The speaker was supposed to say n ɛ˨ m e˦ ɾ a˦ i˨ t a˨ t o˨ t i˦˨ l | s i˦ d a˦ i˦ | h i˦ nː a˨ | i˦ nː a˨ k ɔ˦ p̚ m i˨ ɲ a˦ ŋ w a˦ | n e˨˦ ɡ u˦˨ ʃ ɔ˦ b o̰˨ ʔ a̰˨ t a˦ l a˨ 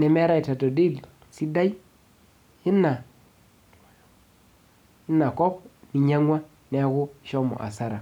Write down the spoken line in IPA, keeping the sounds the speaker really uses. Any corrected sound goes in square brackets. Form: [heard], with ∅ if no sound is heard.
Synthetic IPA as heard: n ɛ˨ m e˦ ɾ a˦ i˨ t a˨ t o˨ [d] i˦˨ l | s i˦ d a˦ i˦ | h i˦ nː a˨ | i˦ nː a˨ k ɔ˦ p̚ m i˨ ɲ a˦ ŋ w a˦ | n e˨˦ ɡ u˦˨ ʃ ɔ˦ [m] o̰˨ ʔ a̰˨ [s] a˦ [ɾ] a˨